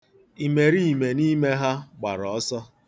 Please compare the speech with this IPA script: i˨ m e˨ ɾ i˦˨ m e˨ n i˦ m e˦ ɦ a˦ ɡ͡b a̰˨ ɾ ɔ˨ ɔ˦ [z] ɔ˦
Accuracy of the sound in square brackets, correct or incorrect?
incorrect